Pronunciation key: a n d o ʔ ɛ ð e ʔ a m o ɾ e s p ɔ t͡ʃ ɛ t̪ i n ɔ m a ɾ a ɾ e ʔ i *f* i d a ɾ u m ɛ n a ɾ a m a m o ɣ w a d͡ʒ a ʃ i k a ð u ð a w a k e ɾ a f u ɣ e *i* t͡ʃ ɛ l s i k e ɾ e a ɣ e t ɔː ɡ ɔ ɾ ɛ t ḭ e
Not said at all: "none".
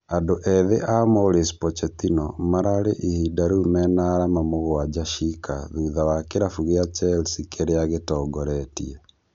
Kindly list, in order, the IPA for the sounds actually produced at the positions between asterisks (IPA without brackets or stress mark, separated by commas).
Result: h, a